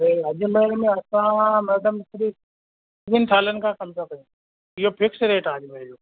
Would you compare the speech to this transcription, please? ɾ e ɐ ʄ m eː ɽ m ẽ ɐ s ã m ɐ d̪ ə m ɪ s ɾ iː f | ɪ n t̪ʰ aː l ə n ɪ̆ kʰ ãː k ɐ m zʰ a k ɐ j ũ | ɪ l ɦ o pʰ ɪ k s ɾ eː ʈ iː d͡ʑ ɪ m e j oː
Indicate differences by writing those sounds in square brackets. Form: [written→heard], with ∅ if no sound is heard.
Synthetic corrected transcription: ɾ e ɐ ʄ m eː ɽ m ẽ ɐ s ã m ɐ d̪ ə m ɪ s ɾ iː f | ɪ n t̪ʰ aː l ə n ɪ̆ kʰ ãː k ɐ m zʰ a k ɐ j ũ | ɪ [l→∅] ɦ o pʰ ɪ k s ɾ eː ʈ [iː→aː] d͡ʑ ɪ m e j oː